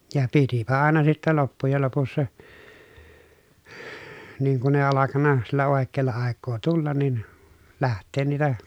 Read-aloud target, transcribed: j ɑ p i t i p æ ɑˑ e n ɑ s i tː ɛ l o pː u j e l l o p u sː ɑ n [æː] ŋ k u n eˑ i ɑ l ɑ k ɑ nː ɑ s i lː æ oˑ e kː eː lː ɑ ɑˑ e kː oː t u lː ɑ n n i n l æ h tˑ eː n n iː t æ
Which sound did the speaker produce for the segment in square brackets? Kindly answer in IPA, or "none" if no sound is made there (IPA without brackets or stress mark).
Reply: iː